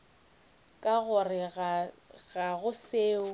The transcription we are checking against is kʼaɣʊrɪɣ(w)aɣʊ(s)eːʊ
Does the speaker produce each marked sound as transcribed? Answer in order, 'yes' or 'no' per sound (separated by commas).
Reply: no, yes